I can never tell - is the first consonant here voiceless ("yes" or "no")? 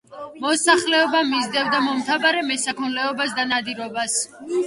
no